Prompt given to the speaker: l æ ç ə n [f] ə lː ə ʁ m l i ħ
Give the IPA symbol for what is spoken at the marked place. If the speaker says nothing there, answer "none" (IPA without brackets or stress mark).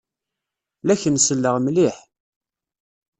s